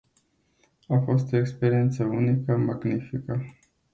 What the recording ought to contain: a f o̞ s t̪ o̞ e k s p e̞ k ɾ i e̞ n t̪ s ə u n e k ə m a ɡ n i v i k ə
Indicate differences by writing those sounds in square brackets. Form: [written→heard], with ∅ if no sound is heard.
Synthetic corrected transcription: a f o̞ s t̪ o̞ e k s p e̞ [k→∅] ɾ i e̞ n t̪ s ə u n [e→i] k ə m a ɡ n i [v→f] i k ə